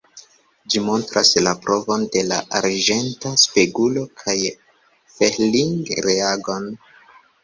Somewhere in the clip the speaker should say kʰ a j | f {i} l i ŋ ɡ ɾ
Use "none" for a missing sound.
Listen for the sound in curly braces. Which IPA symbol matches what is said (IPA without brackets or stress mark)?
e